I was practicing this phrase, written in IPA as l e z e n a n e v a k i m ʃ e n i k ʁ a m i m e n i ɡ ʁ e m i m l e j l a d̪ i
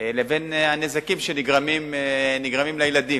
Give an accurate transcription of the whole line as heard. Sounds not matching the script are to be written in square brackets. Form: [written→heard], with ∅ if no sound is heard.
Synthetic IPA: l e [z→v] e n a n e [v→z] a k i m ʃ e n i [k→ɡ] ʁ a m i m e n i ɡ ʁ [e→a] m i m l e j l a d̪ i